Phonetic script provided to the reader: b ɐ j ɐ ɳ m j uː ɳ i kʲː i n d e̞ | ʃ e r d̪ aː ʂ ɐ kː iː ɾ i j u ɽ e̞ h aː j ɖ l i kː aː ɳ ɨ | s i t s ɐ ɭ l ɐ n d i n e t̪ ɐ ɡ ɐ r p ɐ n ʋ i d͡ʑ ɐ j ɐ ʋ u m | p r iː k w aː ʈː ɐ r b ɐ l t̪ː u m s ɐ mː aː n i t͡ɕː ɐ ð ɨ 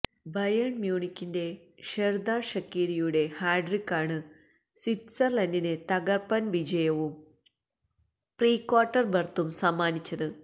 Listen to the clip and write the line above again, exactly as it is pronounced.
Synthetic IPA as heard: b ɐ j ɐ ɳ m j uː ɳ i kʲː i n d e̞ | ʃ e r d̪ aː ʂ ɐ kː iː ɾ i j u ɽ e̞ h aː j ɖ r i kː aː ɳ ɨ | s i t s ɐ r l ɐ n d i n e t̪ ɐ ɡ ɐ r p ɐ n ʋ i d͡ʑ ɐ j ɐ ʋ u m | p r iː k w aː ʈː ɐ r b ɐ r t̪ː u m s ɐ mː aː n i t͡ɕː ɐ ð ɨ